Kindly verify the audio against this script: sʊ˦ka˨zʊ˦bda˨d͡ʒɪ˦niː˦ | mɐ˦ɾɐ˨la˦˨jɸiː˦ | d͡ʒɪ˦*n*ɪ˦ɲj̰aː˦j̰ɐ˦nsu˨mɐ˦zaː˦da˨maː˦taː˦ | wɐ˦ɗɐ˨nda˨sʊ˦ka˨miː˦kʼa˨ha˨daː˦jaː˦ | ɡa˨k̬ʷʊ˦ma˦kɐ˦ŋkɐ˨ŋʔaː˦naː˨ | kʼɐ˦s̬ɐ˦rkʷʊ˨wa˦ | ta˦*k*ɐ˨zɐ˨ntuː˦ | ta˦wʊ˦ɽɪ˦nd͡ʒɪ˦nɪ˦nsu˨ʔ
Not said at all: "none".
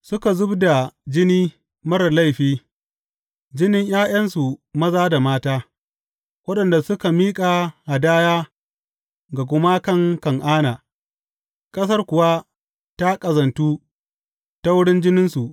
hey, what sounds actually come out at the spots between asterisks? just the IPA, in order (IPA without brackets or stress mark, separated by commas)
n, kʼ